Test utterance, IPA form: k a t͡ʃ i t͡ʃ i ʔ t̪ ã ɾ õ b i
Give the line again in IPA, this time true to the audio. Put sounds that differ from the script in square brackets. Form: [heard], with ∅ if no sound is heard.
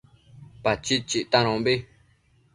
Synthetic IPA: [p] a t͡ʃ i t͡ʃ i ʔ t̪ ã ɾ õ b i